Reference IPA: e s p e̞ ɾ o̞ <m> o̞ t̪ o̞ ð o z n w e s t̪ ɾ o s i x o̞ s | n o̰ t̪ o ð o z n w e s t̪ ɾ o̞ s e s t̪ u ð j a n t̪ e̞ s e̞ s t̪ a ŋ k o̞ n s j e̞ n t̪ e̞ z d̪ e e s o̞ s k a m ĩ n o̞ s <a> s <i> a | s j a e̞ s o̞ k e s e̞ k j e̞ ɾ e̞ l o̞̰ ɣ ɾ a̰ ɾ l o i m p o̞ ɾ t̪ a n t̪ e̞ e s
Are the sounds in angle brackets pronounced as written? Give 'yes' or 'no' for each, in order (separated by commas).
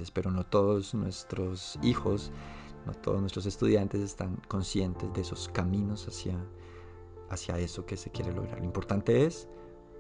no, yes, no